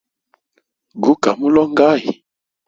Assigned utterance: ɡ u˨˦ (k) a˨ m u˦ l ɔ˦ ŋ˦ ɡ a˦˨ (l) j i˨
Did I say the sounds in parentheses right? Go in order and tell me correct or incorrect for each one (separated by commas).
correct, incorrect